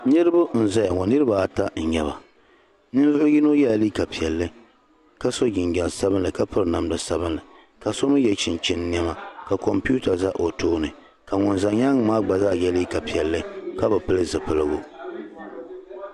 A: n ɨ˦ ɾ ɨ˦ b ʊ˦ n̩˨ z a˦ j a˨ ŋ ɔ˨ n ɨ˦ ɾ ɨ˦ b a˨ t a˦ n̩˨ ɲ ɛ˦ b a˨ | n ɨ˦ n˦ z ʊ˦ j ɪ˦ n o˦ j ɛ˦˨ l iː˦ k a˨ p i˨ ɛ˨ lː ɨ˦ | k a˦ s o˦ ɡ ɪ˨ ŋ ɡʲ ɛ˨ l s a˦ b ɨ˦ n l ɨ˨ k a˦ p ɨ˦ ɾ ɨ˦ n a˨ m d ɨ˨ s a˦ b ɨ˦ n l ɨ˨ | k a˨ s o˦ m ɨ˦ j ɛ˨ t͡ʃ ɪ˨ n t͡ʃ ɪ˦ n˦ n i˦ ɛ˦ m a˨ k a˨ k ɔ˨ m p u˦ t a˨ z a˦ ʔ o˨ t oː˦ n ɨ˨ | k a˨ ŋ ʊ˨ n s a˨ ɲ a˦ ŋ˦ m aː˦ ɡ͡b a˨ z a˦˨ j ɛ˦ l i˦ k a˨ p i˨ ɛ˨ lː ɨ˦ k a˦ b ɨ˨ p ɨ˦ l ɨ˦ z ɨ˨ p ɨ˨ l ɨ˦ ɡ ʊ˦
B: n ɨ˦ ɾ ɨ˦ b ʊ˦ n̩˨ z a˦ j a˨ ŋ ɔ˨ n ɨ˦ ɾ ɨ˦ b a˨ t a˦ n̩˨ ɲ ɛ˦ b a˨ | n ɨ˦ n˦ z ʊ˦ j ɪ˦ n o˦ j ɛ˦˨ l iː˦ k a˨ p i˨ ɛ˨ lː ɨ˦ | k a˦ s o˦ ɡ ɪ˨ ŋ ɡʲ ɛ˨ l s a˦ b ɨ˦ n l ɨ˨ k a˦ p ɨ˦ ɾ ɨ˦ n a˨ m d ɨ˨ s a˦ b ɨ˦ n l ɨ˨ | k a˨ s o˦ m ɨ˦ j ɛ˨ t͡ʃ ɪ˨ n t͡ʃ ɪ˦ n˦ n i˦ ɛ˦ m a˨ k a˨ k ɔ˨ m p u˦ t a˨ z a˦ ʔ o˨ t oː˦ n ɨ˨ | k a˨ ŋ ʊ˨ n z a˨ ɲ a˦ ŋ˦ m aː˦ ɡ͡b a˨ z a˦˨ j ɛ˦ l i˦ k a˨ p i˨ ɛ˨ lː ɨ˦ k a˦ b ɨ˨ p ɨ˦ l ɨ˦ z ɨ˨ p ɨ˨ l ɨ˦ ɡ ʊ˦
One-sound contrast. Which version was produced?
B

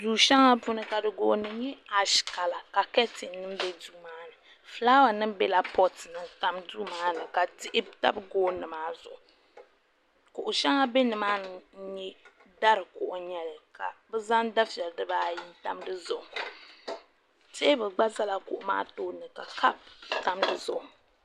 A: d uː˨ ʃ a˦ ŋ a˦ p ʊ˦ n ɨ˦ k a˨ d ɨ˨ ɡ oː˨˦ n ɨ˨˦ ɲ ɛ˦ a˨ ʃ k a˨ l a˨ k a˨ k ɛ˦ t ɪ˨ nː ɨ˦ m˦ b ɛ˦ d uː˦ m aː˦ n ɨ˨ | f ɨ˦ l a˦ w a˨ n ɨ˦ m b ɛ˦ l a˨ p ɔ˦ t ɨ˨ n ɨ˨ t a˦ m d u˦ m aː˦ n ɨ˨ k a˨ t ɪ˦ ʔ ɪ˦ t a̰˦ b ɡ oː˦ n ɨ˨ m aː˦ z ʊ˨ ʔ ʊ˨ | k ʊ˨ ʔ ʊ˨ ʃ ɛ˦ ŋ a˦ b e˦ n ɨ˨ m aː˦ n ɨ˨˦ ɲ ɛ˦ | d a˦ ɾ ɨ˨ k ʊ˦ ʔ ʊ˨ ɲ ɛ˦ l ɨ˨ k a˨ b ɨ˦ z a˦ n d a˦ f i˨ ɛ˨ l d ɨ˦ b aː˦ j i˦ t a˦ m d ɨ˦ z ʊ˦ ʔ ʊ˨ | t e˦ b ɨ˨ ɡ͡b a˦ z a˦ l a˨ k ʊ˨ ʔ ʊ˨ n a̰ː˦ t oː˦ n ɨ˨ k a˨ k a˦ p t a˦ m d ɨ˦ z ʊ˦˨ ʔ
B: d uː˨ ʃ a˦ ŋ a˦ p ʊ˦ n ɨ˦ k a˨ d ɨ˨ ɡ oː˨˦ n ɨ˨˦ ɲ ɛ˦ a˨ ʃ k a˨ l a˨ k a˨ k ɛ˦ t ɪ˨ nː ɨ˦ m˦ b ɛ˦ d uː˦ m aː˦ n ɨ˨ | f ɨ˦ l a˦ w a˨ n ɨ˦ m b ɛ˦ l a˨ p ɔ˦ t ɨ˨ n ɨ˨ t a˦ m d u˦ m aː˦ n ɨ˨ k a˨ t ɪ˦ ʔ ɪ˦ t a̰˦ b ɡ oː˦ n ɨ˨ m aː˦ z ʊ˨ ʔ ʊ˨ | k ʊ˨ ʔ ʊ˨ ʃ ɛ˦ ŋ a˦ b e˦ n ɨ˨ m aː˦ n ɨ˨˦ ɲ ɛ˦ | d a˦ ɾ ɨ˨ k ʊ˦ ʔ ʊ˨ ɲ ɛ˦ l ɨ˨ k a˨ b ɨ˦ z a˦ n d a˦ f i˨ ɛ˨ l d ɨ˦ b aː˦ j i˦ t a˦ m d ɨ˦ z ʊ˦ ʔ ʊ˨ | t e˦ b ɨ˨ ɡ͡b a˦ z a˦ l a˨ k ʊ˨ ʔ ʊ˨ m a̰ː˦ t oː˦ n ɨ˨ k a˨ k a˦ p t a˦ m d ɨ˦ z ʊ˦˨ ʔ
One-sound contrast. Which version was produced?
B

